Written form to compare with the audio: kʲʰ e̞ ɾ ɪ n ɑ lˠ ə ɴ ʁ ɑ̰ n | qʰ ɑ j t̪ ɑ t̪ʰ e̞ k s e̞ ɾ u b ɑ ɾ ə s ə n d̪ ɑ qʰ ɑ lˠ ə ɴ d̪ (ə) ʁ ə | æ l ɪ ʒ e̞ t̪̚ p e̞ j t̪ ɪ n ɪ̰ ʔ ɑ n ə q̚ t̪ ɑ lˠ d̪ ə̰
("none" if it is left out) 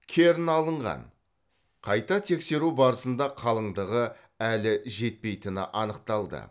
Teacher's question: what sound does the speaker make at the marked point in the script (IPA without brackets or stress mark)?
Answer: ə